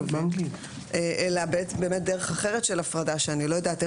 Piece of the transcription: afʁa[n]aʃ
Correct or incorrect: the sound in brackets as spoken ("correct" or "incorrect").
incorrect